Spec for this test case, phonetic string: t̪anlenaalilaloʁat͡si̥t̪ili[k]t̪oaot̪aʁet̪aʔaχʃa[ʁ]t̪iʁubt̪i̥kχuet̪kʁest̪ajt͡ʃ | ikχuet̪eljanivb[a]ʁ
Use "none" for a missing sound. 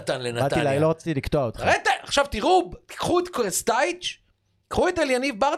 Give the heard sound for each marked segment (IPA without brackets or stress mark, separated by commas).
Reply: k, v, a